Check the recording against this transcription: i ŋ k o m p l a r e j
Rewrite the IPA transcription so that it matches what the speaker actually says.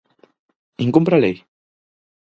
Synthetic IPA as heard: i ŋ k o m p ɾ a l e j